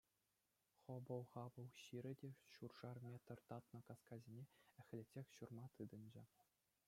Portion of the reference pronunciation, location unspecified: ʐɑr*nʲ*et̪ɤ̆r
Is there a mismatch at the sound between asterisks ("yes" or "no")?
yes